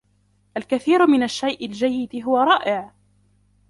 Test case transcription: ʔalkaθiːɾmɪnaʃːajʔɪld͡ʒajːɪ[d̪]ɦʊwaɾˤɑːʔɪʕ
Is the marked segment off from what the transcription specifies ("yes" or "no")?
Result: no